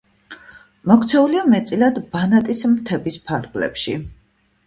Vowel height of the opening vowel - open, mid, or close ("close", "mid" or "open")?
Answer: mid